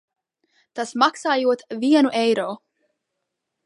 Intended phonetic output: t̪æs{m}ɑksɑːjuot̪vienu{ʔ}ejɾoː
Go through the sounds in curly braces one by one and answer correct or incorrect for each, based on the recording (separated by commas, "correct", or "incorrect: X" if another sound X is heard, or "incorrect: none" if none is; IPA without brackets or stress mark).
correct, correct